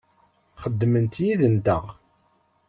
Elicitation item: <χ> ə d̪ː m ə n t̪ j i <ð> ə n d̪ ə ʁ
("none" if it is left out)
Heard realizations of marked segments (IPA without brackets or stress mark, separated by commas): χ, ð